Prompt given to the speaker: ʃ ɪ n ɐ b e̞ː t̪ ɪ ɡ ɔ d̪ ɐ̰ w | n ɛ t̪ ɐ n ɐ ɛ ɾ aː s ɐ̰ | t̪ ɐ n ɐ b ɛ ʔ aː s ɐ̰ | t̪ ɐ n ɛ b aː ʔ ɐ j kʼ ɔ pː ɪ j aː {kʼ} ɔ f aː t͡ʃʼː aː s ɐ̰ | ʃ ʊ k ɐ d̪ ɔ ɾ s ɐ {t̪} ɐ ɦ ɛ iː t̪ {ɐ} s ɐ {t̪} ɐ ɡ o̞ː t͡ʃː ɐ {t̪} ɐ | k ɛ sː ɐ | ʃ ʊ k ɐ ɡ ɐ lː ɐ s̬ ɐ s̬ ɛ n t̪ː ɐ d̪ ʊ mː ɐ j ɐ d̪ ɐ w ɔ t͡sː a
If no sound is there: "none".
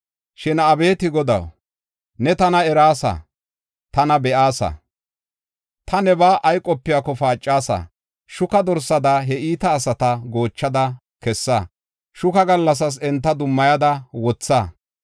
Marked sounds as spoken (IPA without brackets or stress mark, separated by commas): k, d̪, ɐː, t̪, d̪